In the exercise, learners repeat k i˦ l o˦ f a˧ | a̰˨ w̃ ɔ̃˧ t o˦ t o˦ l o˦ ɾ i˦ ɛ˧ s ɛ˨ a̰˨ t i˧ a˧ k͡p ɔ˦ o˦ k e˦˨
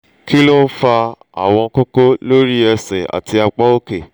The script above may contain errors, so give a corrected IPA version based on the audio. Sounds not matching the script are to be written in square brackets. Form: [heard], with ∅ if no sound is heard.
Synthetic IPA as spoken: k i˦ l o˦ f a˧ | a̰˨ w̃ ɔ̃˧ [k] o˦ [k] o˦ l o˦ ɾ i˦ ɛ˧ s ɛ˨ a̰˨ t i˧ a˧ k͡p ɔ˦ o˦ k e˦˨